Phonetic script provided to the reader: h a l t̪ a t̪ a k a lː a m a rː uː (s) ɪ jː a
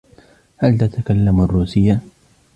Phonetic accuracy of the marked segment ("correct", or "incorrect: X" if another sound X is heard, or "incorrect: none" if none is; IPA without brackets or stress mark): correct